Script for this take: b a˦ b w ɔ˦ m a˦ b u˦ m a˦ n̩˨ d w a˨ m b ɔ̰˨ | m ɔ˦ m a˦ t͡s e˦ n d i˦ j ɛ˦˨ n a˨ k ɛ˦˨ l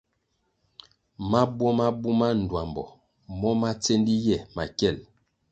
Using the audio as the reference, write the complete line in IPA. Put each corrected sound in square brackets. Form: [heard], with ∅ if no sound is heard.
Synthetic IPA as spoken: [m] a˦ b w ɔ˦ m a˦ b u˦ m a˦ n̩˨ d w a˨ m b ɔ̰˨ | m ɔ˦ m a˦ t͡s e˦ n d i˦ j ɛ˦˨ [m] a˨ k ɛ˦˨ l